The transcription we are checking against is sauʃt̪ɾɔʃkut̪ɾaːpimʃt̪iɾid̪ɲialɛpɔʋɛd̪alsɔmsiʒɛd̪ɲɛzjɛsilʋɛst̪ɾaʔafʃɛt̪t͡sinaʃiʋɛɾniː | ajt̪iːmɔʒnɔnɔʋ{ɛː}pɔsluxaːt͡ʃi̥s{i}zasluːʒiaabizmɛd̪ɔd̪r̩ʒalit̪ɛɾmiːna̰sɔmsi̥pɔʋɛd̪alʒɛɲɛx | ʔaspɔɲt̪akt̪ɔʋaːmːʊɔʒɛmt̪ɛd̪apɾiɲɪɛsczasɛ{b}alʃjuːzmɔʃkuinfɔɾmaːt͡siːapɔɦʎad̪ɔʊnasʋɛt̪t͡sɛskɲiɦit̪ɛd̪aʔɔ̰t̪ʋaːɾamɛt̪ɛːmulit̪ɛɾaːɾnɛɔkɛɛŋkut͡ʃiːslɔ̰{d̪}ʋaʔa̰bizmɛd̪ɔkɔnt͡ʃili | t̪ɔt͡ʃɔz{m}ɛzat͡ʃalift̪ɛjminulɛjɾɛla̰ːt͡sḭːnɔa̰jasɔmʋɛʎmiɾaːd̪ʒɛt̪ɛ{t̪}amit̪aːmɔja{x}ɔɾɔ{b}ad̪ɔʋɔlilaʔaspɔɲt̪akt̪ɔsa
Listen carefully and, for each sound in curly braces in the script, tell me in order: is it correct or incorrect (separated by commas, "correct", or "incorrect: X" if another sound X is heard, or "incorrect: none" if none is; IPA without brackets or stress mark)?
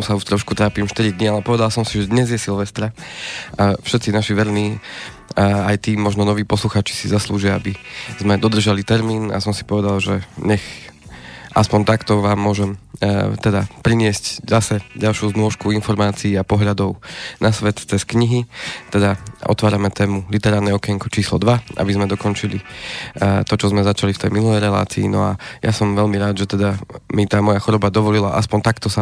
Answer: incorrect: iː, correct, incorrect: ɟ, correct, correct, incorrect: d̪, correct, correct